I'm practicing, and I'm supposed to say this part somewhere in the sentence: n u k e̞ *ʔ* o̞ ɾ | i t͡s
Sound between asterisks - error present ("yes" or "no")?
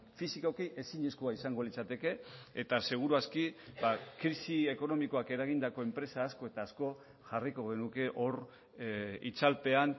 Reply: no